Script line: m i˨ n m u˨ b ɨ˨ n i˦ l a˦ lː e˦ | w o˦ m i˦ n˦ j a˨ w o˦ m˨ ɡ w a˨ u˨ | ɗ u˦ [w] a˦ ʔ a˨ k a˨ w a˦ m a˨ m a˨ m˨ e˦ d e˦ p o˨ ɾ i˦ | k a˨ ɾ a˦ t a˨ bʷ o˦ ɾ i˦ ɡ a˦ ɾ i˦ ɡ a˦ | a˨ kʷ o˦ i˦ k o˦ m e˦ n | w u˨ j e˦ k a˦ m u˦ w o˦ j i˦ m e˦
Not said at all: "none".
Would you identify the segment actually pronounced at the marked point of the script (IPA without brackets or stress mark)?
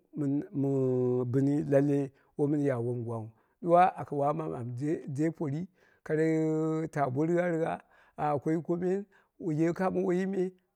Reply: w